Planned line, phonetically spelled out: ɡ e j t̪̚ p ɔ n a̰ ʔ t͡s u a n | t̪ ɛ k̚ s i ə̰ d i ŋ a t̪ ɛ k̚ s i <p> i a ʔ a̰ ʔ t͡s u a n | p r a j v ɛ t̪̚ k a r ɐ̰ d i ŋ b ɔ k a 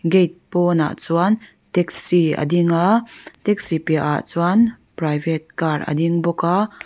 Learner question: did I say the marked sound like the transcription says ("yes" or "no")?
yes